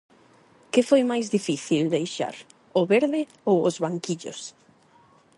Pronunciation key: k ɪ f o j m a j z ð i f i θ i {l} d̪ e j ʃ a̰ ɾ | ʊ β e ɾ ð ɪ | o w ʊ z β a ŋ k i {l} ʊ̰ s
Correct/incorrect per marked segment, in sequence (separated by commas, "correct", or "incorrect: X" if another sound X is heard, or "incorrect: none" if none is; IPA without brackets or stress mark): correct, incorrect: ʎ